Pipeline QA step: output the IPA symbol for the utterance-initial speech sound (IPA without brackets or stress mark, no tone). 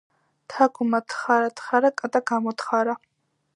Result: t̪ʰ